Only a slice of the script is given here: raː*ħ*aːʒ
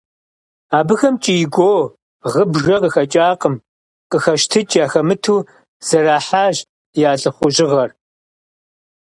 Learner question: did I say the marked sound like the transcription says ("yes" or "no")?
yes